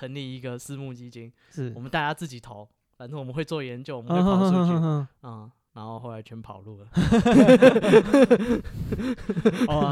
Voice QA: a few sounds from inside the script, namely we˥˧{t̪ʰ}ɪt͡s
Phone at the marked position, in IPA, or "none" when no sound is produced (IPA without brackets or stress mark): none